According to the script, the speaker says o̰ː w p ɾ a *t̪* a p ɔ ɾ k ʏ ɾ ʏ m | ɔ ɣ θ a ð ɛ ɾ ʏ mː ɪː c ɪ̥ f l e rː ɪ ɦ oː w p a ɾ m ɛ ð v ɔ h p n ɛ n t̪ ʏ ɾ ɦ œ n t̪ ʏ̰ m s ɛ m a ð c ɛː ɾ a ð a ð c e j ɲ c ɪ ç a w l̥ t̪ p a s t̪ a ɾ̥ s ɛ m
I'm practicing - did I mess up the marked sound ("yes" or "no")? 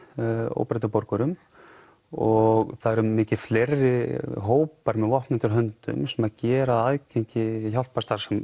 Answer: no